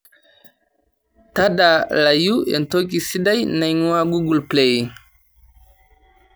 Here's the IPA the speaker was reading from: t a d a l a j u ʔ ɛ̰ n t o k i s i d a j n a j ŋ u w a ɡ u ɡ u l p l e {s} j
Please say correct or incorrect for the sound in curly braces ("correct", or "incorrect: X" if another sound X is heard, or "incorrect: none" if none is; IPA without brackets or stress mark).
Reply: incorrect: none